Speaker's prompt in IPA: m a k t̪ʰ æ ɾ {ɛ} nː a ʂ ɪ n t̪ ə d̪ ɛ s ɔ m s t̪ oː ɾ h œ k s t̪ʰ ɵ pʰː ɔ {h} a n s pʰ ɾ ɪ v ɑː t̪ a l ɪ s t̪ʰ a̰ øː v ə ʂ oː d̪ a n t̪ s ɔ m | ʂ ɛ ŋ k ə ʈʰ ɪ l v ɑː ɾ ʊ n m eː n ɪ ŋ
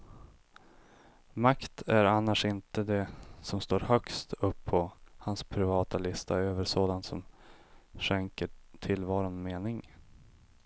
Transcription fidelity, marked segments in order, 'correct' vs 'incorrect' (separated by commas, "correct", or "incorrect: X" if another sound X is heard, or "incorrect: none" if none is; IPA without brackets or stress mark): incorrect: a, correct